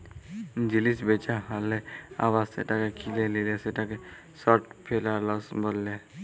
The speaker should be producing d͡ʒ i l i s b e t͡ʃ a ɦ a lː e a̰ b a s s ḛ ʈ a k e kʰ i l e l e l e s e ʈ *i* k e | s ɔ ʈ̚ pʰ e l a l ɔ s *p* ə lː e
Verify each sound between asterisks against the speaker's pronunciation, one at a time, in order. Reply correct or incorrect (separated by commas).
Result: incorrect, incorrect